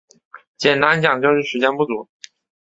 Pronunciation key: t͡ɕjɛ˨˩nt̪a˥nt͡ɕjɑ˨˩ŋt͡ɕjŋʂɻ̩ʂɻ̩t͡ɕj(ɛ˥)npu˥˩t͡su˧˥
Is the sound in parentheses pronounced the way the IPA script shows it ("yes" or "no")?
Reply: yes